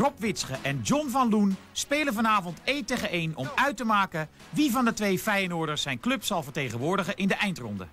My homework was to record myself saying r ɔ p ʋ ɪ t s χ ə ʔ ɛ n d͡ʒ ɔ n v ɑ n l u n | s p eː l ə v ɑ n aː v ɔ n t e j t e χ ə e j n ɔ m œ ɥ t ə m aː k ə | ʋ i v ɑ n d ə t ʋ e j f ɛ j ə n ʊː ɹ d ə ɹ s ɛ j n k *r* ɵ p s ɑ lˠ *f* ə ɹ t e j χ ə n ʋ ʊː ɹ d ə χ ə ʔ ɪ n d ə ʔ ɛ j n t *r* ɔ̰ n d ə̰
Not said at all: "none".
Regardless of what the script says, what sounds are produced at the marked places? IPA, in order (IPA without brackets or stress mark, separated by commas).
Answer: l, v, r